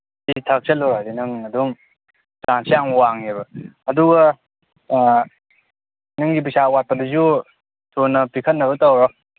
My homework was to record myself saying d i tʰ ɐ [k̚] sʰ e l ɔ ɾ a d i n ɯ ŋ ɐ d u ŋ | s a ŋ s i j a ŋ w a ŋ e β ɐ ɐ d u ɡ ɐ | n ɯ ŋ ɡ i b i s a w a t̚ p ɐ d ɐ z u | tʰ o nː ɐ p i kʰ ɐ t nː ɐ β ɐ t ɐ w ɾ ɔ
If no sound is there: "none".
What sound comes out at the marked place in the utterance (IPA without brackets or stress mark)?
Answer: k̚